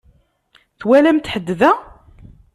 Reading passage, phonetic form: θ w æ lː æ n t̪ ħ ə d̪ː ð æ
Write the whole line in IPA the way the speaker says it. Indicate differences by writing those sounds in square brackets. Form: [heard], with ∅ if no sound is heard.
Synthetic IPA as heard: θ w æ [l] æ [m] t̪ ħ ə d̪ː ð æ